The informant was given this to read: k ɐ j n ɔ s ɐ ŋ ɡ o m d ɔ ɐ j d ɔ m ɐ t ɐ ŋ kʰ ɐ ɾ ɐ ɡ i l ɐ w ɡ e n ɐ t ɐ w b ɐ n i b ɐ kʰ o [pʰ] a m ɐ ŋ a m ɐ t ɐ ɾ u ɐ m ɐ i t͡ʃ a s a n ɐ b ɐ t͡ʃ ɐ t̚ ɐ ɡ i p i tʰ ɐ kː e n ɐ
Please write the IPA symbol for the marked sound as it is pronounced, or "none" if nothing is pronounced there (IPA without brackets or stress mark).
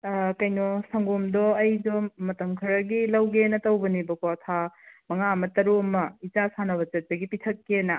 tʰ